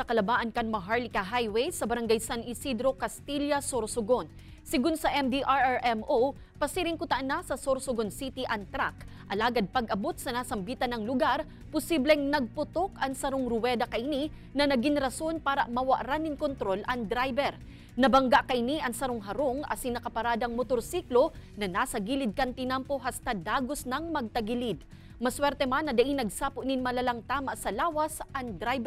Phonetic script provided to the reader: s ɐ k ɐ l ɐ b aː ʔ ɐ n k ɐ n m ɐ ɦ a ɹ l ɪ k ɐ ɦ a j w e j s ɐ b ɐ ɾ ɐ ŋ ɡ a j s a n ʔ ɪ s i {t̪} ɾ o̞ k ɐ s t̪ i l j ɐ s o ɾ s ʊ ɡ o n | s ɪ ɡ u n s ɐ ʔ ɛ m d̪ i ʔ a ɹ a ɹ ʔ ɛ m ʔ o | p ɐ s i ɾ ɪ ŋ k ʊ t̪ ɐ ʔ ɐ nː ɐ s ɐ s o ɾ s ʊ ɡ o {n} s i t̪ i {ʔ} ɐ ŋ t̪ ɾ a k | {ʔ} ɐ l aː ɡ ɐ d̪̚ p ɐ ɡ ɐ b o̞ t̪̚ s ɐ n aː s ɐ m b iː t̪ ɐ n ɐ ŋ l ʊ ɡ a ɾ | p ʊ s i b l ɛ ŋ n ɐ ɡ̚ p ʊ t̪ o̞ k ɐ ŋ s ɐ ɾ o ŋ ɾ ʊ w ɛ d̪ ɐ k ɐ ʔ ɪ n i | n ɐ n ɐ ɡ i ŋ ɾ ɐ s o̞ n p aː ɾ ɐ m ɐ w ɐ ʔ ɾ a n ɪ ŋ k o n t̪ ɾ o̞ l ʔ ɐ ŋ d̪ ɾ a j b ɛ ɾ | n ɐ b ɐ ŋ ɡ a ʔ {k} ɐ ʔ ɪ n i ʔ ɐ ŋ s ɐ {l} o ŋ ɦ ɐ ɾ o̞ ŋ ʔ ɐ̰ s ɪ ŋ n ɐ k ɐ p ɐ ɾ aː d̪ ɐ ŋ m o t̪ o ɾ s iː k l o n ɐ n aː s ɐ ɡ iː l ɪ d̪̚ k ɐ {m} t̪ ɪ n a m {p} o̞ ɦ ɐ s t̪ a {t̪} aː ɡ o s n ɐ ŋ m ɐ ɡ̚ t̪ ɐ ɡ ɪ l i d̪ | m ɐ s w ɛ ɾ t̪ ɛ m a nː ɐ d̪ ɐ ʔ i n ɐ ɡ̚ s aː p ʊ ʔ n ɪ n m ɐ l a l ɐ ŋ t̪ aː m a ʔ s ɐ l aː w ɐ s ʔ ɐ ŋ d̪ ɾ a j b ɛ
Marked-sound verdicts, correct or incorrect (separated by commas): incorrect, correct, correct, correct, correct, incorrect, incorrect, correct, incorrect